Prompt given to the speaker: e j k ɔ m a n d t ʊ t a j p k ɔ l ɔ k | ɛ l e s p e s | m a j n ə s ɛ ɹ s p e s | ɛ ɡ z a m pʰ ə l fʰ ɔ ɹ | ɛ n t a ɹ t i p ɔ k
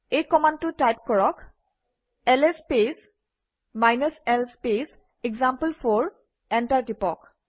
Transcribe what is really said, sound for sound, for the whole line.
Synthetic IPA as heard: e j k ɔ m a n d t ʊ t a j p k ɔ ɹ ɔ k | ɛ l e s p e s | m a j n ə s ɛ l s p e s | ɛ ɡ z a m p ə l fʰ ɔ ɹ | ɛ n t a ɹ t i p ɔ k